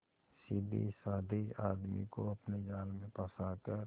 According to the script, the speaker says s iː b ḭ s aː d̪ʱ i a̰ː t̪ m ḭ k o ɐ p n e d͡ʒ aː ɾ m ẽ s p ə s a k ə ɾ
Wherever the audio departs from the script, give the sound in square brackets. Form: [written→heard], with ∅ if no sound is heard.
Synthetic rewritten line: s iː b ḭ s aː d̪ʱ i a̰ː [t̪→d̪] m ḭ k o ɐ p n e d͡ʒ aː [ɾ→l] m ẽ [s→∅] p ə s a k ə ɾ

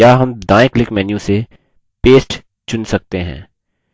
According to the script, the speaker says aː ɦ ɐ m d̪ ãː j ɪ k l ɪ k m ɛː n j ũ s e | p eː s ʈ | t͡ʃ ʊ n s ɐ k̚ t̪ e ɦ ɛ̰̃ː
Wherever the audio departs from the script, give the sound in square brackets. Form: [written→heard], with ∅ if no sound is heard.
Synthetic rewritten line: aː ɦ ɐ m d̪ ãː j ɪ k l ɪ k m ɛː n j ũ s e | p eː s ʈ | t͡ʃ ʊ n s ɐ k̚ t̪ e ɦ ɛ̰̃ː

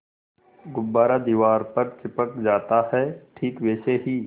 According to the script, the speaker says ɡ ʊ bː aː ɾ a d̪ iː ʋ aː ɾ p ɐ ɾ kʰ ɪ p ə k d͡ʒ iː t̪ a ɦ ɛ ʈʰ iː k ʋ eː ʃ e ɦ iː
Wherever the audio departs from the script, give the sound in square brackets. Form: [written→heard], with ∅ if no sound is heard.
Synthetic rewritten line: ɡ ʊ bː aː ɾ a d̪ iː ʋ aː ɾ p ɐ ɾ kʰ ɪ p ə k d͡ʒ [iː→aː] t̪ a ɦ ɛ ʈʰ iː k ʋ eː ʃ e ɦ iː

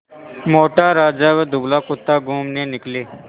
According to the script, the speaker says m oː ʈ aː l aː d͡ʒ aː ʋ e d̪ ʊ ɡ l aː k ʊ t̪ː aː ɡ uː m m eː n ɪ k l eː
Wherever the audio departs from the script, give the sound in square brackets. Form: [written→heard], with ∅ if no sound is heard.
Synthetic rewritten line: m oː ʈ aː [l→ɾ] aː d͡ʒ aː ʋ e d̪ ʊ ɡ l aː k ʊ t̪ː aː ɡ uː m [m→n] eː n ɪ k l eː

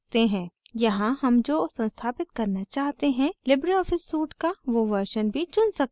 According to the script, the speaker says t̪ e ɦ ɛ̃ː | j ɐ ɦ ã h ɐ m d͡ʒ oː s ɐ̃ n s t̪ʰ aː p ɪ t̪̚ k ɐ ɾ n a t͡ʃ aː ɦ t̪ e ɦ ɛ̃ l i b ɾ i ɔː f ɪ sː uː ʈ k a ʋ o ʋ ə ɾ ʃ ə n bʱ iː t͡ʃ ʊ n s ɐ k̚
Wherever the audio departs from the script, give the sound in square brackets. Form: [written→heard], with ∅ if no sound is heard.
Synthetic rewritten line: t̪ e ɦ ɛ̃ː | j ɐ ɦ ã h ɐ m d͡ʒ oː s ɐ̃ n s t̪ʰ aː p ɪ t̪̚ k ɐ ɾ n a t͡ʃ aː ɦ t̪ e ɦ ɛ̃ l [i→ɪ] b ɾ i ɔː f ɪ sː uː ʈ k a ʋ o ʋ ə ɾ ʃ ə n bʱ [iː→i] t͡ʃ ʊ n s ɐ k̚

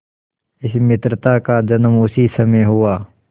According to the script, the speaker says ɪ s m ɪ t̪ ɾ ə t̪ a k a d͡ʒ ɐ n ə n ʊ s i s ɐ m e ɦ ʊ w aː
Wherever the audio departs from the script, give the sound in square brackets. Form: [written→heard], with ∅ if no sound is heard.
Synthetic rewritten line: ɪ s m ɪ t̪ ɾ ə t̪ a k a d͡ʒ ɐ n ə [n→m] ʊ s i s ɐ m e ɦ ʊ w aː

